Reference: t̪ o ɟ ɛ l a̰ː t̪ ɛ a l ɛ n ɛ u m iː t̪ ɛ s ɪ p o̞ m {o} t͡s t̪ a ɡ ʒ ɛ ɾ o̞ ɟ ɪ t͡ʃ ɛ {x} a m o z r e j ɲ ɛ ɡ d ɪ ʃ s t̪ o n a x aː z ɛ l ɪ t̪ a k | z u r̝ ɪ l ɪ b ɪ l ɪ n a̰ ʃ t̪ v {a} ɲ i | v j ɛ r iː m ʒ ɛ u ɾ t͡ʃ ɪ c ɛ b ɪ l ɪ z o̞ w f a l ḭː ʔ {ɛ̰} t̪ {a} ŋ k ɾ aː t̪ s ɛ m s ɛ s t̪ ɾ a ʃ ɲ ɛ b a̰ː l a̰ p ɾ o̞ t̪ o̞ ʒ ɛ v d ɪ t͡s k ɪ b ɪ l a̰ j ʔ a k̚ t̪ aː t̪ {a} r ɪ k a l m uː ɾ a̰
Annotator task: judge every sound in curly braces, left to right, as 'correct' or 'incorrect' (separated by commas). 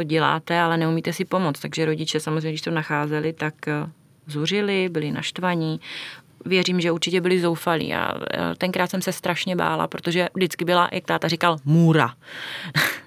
correct, incorrect, correct, incorrect, incorrect, correct